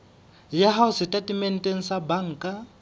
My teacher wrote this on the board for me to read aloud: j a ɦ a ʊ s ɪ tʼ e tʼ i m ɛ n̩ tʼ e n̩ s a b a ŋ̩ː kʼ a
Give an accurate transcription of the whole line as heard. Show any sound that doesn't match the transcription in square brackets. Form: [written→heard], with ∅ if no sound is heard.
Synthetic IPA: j a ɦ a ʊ s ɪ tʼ [e→a] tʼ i m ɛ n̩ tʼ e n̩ s a b a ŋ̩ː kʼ a